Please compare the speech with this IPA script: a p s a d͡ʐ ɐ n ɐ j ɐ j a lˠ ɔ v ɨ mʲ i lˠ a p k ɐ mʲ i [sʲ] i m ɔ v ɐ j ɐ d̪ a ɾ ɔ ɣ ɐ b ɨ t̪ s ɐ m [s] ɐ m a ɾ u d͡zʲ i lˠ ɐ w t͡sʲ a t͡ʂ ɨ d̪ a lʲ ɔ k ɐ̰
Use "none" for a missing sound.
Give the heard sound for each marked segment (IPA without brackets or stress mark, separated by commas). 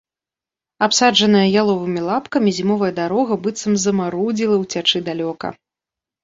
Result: zʲ, z